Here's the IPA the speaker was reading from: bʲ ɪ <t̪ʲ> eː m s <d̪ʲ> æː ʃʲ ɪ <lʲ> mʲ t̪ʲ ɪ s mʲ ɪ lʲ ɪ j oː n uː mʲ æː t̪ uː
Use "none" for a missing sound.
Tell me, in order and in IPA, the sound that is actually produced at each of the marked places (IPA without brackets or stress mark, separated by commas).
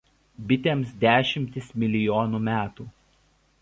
t̪ʲ, d̪ʲ, none